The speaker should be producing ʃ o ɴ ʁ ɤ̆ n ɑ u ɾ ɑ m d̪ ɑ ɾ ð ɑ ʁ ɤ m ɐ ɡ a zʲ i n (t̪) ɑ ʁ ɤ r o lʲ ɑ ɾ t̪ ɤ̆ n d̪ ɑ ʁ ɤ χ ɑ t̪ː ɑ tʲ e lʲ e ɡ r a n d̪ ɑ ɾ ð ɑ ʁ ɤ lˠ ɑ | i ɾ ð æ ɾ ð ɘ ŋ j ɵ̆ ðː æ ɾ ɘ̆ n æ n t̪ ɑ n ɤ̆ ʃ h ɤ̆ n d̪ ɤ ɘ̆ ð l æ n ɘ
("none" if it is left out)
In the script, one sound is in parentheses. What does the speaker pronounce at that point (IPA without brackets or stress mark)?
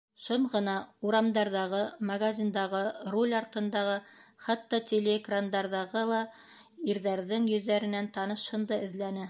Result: d̪